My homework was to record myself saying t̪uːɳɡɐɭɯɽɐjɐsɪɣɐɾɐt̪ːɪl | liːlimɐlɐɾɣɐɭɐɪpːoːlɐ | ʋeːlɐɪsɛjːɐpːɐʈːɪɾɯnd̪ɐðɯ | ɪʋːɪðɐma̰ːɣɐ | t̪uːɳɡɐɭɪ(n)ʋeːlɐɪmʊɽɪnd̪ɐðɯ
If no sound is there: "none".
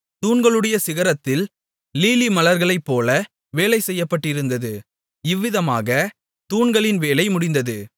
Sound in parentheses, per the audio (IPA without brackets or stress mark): n